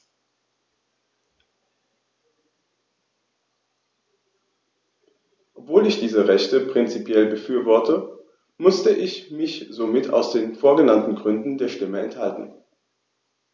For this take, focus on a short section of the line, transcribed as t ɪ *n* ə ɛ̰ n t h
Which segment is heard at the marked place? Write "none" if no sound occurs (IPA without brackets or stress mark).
m